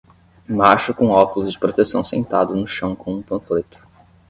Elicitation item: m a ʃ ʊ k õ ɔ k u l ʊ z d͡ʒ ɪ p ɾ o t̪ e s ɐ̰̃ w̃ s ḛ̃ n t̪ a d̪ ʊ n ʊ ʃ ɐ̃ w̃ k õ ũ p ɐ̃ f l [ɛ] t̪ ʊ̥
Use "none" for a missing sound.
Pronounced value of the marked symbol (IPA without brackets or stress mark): e